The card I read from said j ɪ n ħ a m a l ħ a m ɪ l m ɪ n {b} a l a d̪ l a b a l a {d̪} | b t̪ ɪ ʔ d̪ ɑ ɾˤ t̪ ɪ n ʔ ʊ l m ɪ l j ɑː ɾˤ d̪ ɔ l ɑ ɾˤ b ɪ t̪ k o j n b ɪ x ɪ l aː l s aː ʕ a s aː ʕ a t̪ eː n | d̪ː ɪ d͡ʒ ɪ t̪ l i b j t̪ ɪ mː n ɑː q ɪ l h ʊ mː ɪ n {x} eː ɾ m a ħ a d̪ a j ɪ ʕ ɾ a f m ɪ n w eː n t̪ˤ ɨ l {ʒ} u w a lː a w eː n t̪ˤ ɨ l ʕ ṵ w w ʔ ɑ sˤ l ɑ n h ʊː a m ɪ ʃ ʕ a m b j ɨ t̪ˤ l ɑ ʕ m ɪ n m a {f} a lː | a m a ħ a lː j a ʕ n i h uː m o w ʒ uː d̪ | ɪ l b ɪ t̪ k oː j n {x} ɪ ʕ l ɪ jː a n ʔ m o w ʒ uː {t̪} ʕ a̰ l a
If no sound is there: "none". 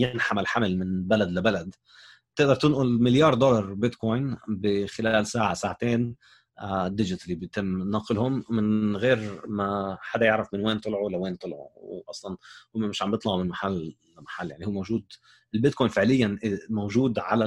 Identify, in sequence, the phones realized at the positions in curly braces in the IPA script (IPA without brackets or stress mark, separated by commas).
b, d̪, ɣ, ʕ, ħ, f, d̪